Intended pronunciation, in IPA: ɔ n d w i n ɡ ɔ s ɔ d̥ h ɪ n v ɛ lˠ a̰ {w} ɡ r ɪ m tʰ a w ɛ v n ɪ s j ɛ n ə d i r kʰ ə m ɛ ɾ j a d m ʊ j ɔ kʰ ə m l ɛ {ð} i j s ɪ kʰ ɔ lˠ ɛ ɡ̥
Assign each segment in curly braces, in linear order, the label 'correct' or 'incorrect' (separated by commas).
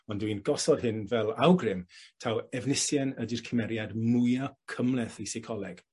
correct, incorrect